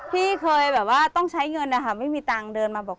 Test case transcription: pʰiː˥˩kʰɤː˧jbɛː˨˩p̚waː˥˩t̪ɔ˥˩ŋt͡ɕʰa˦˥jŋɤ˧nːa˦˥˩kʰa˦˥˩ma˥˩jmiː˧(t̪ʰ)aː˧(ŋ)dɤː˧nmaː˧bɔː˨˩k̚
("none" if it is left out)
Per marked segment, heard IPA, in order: t̪, ŋ

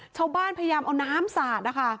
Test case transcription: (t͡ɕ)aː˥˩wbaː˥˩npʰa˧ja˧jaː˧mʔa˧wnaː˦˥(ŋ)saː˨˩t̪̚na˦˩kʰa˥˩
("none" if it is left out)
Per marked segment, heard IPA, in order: t͡ɕʰ, m

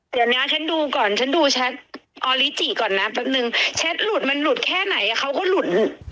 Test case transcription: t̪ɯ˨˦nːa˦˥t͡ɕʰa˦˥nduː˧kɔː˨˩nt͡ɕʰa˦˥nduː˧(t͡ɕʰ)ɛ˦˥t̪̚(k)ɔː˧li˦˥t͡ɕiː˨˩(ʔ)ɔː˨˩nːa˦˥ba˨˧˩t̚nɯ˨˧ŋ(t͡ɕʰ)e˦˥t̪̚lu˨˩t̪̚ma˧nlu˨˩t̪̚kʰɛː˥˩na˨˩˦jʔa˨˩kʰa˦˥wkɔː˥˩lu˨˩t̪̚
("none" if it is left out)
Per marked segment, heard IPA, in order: t͡ɕʰ, ʔ, k, t͡ɕʰ

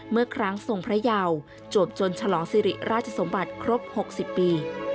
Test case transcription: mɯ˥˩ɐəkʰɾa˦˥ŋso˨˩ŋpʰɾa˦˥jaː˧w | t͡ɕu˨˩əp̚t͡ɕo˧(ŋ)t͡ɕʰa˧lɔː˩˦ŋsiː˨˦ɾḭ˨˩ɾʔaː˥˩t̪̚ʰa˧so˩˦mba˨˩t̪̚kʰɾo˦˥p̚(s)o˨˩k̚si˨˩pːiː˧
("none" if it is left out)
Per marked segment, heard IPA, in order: n, h

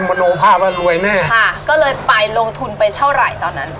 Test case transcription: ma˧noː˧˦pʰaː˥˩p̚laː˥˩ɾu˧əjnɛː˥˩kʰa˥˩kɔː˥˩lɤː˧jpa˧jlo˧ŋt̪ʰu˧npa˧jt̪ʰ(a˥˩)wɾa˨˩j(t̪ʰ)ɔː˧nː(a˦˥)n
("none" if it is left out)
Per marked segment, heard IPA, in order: a˥˩, t̪, a˦˥

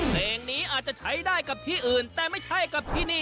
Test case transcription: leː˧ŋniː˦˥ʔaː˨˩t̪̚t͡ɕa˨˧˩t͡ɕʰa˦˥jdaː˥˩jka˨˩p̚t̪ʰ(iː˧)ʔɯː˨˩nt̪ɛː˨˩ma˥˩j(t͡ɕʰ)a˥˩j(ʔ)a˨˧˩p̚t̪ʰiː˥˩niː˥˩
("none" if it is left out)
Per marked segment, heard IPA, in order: iː˥˩, t͡ɕʰ, k

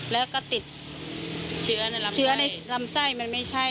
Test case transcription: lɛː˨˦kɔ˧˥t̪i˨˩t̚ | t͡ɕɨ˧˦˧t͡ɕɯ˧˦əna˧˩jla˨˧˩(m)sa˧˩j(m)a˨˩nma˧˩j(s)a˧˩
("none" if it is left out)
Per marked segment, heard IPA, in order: m, m, s

